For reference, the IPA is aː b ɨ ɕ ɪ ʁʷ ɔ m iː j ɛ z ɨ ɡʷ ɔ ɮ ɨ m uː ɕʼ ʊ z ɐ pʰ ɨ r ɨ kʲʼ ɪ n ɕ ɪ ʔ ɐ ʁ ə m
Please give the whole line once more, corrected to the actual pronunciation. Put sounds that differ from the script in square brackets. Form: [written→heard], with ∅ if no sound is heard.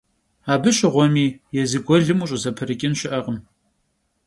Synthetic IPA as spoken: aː b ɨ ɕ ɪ ʁʷ ɔ m iː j ɛ z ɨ ɡʷ ɔ ɮ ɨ m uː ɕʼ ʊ z ɐ pʰ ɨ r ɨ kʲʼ ɪ n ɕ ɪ ʔ ɐ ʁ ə m